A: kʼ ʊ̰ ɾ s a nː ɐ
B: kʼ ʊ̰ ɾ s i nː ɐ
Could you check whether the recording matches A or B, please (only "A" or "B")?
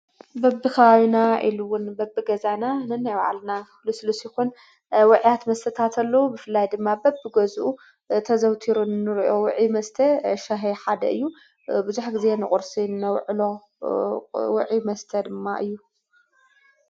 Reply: B